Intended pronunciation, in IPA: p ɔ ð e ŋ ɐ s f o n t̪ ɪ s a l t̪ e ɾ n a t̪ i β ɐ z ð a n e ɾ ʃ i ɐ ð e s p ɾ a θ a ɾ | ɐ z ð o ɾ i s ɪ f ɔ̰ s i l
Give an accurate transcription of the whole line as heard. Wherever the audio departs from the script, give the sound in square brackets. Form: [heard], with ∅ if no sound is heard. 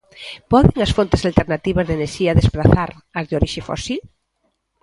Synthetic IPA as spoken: p ɔ ð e ŋ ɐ s f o n t̪ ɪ s a l t̪ e ɾ n a t̪ i β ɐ z ð [e] n e ɾ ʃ i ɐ ð e s p ɾ a θ a ɾ | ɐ z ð o ɾ i [ʃ] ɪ f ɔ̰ s i l